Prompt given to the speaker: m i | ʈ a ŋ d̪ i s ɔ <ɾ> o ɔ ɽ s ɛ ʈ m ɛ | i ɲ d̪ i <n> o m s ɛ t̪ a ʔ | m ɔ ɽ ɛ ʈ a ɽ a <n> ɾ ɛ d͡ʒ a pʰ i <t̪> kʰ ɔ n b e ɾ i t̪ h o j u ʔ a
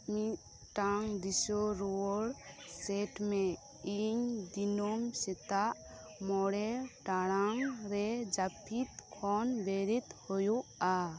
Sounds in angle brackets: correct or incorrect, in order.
correct, correct, incorrect: ŋ, correct

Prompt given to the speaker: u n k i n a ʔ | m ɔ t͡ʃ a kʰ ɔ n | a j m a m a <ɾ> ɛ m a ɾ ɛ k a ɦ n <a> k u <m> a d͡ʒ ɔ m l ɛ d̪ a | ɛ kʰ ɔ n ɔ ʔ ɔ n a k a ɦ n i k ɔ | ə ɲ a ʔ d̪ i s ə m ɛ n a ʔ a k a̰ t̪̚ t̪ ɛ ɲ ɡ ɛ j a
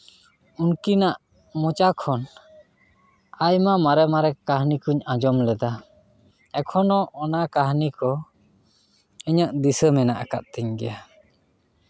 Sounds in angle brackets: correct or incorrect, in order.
correct, incorrect: i, incorrect: ɲ

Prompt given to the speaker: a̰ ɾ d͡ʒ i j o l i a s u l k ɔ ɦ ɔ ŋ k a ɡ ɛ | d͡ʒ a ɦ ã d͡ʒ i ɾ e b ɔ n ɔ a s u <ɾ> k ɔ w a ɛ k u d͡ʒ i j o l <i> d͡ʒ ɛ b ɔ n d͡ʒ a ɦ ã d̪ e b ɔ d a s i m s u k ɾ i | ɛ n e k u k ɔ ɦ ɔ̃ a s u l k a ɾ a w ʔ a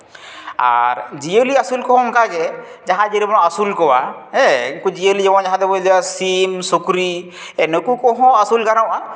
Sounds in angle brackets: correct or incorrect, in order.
incorrect: l, correct

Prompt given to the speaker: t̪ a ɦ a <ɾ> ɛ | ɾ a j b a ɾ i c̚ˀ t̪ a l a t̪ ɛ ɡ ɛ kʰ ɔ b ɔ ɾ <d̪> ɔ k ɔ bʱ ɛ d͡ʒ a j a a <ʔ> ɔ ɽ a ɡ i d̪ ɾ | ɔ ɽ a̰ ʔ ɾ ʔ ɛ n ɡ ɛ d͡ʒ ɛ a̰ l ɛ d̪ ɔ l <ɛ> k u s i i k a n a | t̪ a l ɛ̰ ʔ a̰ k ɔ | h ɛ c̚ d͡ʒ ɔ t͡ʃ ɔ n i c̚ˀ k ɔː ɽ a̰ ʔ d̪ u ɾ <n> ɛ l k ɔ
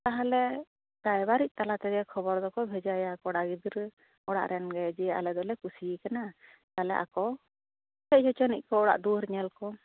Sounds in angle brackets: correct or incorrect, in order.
incorrect: l, correct, incorrect: k, correct, incorrect: ɲ

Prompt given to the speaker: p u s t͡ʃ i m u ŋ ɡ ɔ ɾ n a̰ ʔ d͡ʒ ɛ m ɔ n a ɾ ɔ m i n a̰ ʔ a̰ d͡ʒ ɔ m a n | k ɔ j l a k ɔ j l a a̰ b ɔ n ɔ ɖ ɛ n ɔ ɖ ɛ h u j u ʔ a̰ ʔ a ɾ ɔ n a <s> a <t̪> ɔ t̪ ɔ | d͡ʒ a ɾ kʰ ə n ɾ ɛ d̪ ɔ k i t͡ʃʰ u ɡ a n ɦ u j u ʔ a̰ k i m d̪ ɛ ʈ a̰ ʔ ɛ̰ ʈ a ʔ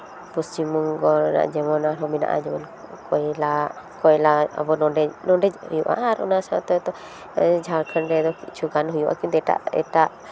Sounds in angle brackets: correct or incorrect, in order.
correct, correct

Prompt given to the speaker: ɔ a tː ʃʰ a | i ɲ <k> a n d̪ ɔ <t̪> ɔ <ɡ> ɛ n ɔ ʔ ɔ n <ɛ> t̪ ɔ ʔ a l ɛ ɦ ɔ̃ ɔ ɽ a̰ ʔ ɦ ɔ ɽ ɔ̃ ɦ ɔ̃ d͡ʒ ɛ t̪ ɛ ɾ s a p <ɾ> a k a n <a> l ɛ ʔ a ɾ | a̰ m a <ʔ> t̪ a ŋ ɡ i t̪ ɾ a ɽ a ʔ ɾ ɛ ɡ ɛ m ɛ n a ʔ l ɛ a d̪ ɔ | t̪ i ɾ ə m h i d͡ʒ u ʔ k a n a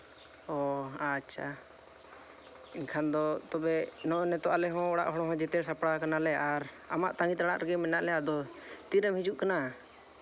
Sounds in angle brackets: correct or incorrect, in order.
incorrect: kʰ, correct, incorrect: b, correct, incorrect: ɽ, correct, correct

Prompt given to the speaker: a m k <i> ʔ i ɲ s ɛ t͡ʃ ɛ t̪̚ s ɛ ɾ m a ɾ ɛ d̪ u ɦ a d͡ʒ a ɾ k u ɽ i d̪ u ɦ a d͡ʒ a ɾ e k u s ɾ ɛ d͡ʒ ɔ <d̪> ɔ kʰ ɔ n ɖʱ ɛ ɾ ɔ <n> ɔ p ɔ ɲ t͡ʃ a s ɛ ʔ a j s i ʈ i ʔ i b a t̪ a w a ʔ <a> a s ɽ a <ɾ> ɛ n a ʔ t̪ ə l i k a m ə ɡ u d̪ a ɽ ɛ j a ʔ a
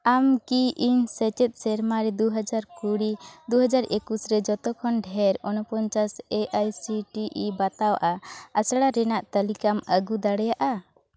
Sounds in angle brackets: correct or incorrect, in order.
correct, incorrect: t̪, correct, correct, correct

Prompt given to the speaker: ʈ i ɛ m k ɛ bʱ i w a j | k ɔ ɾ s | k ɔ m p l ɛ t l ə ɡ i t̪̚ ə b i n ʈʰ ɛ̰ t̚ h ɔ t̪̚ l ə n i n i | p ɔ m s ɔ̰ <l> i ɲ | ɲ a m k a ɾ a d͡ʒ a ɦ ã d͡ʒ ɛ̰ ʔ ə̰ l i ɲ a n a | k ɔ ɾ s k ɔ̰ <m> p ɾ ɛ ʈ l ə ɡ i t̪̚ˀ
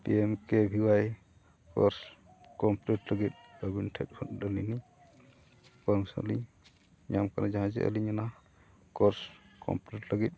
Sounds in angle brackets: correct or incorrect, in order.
correct, correct

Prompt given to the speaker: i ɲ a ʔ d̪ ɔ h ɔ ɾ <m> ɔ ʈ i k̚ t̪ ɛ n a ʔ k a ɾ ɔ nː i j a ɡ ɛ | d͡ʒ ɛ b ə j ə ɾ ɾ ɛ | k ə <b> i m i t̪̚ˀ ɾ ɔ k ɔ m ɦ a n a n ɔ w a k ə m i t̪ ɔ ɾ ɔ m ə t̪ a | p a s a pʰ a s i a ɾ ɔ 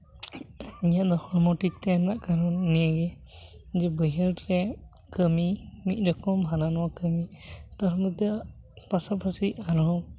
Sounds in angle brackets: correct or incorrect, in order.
correct, incorrect: m

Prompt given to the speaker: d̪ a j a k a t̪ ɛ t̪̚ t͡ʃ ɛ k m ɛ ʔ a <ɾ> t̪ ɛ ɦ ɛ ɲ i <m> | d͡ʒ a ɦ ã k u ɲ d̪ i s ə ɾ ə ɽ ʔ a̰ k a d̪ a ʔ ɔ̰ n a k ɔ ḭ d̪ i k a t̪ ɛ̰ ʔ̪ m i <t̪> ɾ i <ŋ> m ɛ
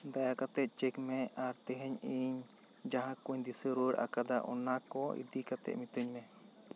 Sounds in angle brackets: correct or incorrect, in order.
correct, incorrect: ɲ, correct, incorrect: ɲ

